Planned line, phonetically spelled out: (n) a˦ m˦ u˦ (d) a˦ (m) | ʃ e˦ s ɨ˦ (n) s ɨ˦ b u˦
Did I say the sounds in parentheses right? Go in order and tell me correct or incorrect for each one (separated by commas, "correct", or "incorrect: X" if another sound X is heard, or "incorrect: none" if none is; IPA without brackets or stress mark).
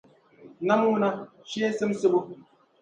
correct, incorrect: n, incorrect: none, incorrect: m